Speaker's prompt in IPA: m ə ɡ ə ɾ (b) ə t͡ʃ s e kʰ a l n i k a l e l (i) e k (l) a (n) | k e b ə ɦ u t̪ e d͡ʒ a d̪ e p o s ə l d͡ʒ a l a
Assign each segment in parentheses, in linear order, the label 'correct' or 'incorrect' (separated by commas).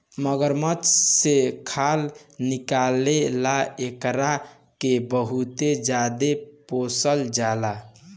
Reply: incorrect, incorrect, incorrect, incorrect